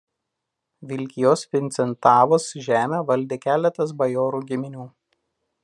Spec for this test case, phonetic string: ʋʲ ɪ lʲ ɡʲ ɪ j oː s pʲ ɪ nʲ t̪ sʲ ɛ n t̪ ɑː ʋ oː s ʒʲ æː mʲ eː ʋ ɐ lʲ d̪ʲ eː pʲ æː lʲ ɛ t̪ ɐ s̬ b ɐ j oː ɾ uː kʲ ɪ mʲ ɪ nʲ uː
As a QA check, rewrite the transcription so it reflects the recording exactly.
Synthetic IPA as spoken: ʋʲ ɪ lʲ kʲ ɪ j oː s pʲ ɪ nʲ t̪ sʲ ɛ n t̪ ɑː ʋ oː s ʒʲ æː mʲ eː ʋ ɐ lʲ d̪ʲ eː kʲ æː lʲ ɛ t̪ ɐ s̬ b ɐ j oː ɾ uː ɡʲ ɪ mʲ ɪ nʲ uː